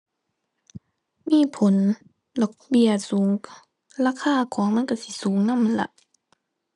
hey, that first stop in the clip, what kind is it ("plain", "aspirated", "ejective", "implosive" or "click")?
aspirated